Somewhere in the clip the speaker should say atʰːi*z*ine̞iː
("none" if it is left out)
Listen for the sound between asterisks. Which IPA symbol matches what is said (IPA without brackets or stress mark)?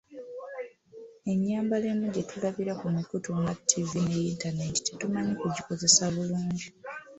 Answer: v